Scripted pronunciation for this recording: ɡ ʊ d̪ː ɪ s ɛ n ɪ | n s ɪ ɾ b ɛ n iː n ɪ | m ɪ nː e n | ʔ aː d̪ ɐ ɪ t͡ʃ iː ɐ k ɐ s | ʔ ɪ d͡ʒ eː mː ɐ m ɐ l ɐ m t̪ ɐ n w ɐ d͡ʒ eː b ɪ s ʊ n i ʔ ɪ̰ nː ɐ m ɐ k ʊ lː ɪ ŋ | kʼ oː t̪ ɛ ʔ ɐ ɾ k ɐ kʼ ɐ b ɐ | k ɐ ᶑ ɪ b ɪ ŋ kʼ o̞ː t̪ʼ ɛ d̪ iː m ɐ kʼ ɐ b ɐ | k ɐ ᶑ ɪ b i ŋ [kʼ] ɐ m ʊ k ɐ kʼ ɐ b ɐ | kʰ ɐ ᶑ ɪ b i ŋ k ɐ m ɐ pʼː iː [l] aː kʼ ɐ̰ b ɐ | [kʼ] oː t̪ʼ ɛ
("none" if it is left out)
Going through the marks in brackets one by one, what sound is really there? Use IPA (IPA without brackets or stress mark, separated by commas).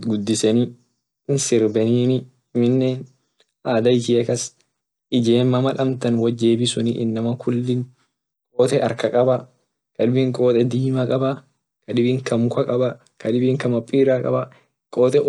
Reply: k, ɾ, kʼ